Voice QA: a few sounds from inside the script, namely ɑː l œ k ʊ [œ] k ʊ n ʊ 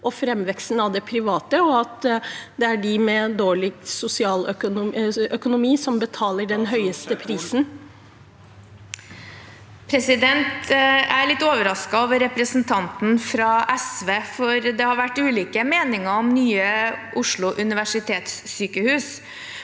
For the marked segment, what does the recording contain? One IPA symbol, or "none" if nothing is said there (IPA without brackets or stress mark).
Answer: œ